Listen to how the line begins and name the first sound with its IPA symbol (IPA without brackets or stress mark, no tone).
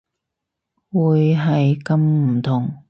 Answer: w